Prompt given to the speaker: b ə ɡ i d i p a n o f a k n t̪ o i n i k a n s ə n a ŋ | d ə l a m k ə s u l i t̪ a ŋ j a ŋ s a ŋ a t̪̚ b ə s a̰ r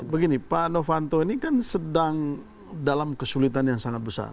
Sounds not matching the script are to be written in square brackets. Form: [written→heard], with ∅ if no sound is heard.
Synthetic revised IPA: b ə ɡ i [d→n] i p a n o f a [k→∅] n t̪ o i n i k a n s ə [n→d] a ŋ | d [ə→a] l a m k ə s u l i t̪ a [ŋ→n] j a ŋ s a ŋ a t̪̚ b ə s a̰ r